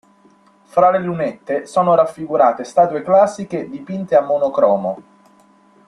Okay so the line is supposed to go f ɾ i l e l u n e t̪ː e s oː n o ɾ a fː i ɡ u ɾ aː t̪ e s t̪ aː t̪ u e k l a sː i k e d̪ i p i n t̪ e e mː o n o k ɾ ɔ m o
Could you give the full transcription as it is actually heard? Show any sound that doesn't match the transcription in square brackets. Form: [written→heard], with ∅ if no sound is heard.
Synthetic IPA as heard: f ɾ [i→a] l e l u n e t̪ː e s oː n o ɾ a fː i ɡ u ɾ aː t̪ e s t̪ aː t̪ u e k l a sː i k e d̪ i p i n t̪ e [e→a] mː o n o k ɾ [ɔ→ɔː] m o